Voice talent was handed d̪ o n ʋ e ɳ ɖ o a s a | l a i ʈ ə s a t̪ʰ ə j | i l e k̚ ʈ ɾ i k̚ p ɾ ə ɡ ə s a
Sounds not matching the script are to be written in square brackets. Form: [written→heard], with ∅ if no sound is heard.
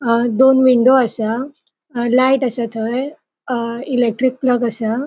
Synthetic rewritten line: d̪ o n ʋ [e→i] ɳ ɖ o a s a | l a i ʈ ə s a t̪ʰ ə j | i l e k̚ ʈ ɾ i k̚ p [ɾ→l] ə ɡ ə s a